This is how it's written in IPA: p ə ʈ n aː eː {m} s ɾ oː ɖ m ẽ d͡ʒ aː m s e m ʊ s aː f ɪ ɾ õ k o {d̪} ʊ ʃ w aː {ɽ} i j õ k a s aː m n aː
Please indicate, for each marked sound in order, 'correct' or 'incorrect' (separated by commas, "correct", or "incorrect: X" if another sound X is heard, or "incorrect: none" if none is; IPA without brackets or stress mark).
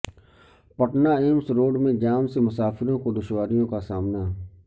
correct, correct, incorrect: ɾ